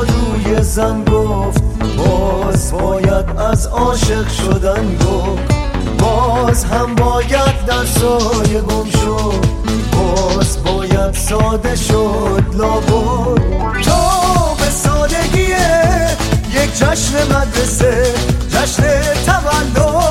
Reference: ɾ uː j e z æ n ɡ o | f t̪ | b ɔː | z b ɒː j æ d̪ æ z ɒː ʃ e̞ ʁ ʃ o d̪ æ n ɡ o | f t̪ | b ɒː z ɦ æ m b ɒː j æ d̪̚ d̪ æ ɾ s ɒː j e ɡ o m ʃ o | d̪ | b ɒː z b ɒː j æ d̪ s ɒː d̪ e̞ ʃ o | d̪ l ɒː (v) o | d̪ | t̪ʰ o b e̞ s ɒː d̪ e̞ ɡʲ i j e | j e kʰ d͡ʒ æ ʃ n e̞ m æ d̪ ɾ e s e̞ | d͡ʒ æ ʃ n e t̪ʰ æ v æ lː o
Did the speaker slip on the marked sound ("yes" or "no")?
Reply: yes